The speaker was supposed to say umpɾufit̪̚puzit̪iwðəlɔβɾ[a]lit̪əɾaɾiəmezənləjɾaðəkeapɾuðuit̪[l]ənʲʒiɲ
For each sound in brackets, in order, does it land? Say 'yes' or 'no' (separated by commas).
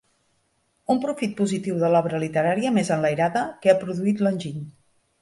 no, yes